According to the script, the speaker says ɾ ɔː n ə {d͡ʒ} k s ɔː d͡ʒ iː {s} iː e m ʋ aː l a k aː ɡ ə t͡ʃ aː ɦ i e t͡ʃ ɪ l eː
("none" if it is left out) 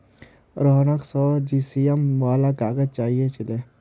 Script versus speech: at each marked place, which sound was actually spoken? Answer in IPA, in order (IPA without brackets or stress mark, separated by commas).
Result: none, s